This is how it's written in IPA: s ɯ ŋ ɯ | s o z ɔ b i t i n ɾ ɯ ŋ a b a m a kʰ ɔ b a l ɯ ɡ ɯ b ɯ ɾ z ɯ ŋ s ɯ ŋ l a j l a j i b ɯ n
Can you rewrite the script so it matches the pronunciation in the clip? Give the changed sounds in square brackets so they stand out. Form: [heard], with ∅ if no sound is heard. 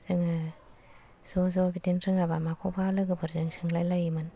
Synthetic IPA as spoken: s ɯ ŋ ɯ | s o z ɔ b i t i n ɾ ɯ ŋ a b a m a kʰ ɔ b a l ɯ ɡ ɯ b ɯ ɾ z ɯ ŋ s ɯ ŋ l a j l a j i [m] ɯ n